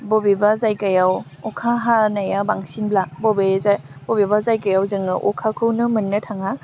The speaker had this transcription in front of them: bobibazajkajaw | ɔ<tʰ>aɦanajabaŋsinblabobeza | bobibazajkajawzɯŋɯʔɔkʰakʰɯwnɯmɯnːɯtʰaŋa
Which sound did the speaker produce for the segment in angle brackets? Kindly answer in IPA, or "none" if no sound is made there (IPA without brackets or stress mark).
kʰ